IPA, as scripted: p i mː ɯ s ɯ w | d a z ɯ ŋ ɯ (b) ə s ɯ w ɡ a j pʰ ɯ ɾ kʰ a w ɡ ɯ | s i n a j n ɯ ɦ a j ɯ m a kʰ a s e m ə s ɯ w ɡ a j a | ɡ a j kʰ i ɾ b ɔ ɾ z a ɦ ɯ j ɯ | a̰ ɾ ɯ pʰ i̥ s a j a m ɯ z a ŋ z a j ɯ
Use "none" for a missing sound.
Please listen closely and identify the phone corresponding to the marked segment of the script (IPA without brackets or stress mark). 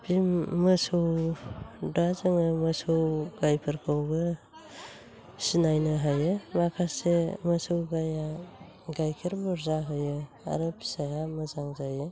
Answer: m